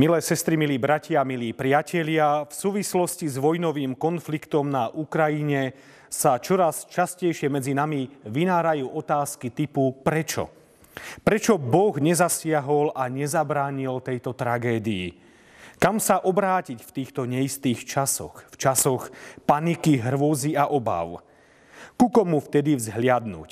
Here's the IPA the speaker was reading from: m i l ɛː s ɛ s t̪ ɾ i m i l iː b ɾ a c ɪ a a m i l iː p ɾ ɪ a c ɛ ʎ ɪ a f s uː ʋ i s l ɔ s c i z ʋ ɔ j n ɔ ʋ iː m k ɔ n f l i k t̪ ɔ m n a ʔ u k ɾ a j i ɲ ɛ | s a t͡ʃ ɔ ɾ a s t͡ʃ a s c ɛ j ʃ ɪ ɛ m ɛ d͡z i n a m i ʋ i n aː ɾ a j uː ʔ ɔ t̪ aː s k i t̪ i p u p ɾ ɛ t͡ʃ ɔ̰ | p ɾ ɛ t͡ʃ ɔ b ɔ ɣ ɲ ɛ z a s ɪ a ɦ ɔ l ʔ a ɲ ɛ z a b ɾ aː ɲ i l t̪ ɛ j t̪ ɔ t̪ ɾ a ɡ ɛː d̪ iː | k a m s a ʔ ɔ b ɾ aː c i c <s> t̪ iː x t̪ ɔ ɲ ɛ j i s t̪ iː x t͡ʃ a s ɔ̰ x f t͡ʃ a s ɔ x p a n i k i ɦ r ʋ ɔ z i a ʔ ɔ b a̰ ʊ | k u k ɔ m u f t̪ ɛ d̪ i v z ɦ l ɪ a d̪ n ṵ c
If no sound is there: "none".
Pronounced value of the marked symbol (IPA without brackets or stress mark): f